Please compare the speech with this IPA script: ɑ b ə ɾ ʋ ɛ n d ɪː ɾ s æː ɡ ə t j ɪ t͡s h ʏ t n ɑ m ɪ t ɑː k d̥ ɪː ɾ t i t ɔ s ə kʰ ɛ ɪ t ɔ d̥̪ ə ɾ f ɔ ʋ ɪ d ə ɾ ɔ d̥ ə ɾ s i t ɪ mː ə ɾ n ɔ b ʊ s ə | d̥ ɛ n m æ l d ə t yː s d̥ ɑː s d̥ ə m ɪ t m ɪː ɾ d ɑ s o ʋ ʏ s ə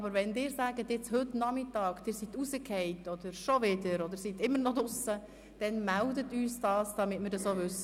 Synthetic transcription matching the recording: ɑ b ə ɾ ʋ ɛ n d ɪː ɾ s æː ɡ ə t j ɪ t͡s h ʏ t n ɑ m ɪ t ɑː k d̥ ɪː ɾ s i t u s ə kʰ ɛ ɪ t ɔ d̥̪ ə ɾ ʃ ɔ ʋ ɪ d ə ɾ ɔ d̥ ə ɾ s i t ɪ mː ə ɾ n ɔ d ʊ s ə | d̥ ɛ n m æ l d ə t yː s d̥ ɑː s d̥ ɑ m ɪ t m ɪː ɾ d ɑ s o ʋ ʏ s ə